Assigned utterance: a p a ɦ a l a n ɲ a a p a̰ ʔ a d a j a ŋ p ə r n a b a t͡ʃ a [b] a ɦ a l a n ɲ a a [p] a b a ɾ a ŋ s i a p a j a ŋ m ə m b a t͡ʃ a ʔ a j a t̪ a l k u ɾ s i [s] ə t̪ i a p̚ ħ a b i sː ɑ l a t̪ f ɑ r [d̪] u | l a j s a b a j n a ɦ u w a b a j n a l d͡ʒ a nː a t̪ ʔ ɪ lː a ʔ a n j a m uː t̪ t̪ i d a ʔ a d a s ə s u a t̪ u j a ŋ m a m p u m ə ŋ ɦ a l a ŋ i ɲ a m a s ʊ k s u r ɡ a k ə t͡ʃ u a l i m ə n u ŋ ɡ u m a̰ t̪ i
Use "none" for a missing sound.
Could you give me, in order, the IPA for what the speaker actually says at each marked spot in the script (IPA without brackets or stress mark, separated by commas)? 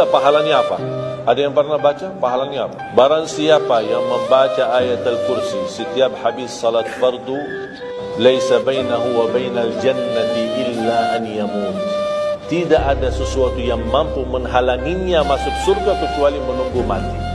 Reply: p, p, s, d̪